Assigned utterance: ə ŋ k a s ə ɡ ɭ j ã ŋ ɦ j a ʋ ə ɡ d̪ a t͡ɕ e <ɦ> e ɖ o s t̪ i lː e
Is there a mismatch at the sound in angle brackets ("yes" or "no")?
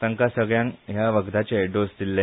yes